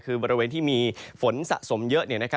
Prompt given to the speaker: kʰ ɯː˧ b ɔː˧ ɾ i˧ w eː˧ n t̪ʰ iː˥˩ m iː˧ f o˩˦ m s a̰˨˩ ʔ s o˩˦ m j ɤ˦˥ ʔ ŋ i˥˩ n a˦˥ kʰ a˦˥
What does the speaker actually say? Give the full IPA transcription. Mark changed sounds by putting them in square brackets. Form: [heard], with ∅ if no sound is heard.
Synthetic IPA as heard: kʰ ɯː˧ b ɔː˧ ɾ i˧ w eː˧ n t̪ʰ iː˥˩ m iː˧ f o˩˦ [n] s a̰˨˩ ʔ s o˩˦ m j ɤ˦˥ ʔ [n] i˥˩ n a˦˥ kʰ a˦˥